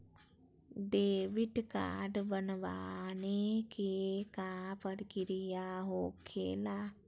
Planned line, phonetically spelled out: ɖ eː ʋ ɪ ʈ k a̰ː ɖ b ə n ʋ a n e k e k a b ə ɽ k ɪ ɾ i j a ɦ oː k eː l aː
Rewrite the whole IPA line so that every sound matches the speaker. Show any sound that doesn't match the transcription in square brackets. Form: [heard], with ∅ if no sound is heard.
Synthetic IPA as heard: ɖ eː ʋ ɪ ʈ k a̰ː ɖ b ə n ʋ a n e k e k a [p] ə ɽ k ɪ ɾ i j a ɦ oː [kʰ] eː l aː